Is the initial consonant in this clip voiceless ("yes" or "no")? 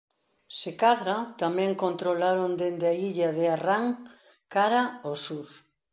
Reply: yes